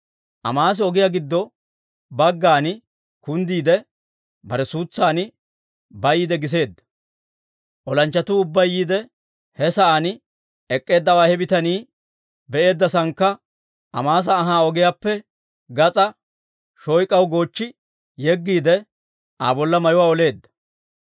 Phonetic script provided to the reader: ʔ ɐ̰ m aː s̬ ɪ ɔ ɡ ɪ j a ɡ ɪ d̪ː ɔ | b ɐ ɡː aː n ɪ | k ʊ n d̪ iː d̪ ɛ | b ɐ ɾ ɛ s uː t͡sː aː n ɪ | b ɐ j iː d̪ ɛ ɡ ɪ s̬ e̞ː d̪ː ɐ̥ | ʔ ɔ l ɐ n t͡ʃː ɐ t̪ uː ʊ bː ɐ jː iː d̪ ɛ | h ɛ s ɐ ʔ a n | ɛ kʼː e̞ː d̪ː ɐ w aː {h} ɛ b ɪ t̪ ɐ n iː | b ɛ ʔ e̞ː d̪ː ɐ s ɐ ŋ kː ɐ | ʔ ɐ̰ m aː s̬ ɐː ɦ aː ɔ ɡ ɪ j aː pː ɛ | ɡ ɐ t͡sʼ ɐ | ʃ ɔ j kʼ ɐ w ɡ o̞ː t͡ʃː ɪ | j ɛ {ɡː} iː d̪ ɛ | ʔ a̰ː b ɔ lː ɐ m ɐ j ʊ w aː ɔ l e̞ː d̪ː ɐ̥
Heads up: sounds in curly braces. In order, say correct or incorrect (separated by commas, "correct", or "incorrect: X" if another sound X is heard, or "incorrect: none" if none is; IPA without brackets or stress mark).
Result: correct, correct